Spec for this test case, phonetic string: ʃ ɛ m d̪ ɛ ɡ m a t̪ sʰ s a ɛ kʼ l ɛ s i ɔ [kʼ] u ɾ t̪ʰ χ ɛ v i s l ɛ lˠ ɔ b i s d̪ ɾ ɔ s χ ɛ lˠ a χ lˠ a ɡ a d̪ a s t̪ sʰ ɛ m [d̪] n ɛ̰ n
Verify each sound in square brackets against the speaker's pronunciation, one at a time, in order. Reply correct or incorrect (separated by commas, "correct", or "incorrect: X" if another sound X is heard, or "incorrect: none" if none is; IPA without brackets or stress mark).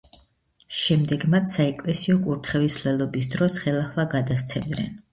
correct, correct